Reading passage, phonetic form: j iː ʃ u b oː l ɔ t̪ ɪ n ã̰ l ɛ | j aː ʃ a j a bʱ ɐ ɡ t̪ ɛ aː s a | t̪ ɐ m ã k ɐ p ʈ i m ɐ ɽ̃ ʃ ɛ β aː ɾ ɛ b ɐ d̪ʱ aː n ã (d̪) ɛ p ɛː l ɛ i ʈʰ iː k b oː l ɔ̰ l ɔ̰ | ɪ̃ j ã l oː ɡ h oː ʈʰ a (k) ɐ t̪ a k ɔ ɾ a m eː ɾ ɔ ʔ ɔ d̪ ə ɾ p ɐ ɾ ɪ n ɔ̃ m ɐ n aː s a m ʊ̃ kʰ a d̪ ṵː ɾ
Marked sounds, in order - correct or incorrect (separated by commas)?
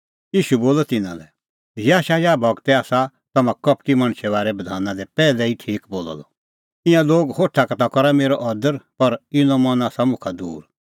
correct, correct